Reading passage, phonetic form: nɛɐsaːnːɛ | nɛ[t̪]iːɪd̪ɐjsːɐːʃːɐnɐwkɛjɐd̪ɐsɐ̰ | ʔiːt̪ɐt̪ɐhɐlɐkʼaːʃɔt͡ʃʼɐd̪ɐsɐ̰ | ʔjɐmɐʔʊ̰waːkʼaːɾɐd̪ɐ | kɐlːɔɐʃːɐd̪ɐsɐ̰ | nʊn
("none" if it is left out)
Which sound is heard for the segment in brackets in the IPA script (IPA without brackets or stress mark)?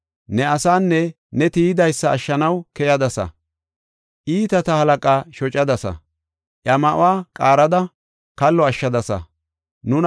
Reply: t̪